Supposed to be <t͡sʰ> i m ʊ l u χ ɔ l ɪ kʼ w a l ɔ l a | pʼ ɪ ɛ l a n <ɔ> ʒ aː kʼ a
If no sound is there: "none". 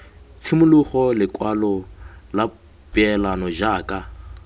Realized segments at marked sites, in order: t͡sʰ, ɔ

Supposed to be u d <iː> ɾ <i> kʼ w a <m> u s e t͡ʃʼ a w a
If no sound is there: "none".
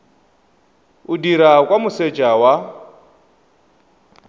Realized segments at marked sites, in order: i, a, m

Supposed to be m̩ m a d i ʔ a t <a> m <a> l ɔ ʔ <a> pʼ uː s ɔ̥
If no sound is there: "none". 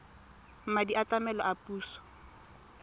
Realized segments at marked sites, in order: a, ɛ, a

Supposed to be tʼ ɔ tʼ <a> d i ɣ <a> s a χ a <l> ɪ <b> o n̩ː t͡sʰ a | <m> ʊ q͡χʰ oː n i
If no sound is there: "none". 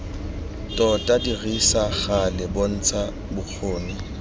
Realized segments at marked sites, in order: a, i, l, b, b

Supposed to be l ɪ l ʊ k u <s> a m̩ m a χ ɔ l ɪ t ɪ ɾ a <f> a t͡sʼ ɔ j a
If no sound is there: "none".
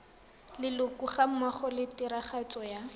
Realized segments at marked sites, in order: χ, χ

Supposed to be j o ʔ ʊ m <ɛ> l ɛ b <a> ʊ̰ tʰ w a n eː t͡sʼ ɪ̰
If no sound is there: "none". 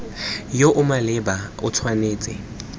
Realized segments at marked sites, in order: a, a

